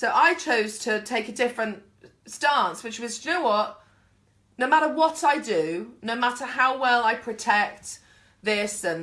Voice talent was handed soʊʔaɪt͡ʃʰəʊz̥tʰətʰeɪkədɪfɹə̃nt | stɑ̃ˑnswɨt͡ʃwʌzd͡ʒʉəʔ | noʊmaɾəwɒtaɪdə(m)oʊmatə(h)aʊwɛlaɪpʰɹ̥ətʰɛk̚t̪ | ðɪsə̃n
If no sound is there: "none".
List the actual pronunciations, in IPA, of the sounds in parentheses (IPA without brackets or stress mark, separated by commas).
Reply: n, h